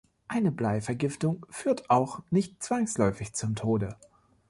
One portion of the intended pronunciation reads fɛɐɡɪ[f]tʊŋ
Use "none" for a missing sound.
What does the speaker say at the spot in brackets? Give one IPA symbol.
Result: f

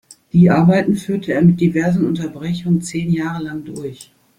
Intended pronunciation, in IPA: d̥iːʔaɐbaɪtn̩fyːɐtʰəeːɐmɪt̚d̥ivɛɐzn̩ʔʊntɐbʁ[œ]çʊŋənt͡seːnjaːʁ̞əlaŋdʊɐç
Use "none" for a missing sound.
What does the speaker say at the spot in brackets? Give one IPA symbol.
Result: ɛ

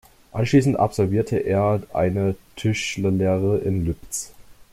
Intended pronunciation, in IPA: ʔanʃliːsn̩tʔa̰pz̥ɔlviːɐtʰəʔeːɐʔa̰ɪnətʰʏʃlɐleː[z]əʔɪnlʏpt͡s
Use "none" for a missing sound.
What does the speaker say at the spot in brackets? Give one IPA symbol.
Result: ʁ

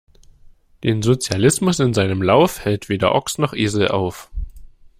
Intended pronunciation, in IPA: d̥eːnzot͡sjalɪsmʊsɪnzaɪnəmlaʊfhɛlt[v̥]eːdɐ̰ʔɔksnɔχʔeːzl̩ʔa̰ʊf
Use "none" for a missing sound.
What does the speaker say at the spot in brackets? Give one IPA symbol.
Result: v̥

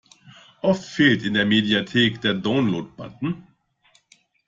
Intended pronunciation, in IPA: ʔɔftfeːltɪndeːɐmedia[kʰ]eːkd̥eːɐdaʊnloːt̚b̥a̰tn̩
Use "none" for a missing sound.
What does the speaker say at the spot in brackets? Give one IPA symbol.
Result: tʰ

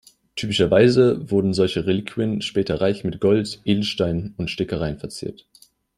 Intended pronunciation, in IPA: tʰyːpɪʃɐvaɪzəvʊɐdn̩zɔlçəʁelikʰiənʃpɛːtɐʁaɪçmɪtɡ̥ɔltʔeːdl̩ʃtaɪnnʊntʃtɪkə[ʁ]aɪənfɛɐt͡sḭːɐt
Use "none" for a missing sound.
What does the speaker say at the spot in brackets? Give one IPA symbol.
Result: ʁ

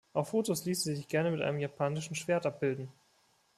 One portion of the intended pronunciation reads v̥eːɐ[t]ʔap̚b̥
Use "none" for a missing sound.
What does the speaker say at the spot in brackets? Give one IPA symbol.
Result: t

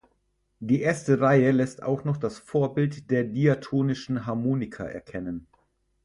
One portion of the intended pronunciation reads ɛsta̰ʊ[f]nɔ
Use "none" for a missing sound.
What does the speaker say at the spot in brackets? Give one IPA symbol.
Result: x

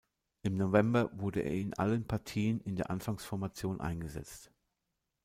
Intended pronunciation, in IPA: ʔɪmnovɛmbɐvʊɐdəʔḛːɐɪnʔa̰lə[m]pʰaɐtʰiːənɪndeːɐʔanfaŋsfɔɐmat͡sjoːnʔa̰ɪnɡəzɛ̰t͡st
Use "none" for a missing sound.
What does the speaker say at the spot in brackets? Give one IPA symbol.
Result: n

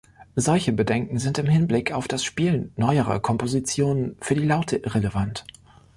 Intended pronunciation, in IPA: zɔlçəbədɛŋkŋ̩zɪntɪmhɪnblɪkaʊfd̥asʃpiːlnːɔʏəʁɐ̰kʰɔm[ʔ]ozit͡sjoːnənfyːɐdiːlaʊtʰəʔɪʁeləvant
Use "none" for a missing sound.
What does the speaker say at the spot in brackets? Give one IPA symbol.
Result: p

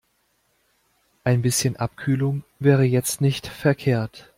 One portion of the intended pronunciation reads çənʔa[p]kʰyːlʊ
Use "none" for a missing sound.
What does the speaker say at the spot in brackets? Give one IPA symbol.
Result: p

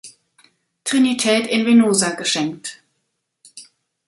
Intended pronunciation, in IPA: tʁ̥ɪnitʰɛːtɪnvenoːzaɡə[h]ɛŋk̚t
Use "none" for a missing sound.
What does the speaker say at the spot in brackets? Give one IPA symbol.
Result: ʃ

